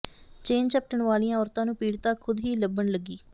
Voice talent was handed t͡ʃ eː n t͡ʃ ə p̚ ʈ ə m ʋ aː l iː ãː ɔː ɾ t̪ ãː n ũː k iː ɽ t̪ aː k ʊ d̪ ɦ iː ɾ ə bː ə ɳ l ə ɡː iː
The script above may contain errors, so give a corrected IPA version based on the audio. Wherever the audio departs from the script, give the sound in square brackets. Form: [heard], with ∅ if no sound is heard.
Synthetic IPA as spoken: t͡ʃ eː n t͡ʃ ə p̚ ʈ ə [ɳ] ʋ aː l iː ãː ɔː ɾ t̪ ãː n ũː [p] iː ɽ t̪ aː [kʰ] ʊ d̪ ɦ iː [l] ə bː ə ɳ l ə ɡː iː